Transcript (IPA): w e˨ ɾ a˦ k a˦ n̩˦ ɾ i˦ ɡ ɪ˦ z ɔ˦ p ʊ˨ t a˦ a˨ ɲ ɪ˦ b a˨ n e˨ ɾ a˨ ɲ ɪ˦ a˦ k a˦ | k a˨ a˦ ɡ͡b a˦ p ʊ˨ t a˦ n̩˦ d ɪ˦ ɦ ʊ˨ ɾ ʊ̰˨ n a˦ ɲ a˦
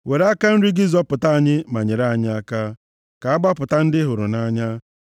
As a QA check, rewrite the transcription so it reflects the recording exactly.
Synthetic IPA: w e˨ ɾ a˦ k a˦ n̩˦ ɾ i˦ ɡ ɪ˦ z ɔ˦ p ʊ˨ t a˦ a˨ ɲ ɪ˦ m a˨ ɲ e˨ ɾ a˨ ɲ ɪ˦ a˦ k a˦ | k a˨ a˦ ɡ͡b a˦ p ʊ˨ t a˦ n̩˦ d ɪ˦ ɦ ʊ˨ ɾ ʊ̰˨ n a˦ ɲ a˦